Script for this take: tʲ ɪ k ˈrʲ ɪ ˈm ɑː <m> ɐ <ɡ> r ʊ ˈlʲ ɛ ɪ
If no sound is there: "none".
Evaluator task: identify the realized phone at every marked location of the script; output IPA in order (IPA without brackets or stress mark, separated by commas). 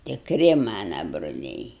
n, b